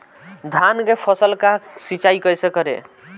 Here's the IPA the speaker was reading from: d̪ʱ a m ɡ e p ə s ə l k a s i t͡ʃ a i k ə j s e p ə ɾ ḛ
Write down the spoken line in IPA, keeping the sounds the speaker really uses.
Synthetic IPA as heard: d̪ʱ a n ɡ e pʰ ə s ə l k a s i t͡ʃ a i k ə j s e k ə ɾ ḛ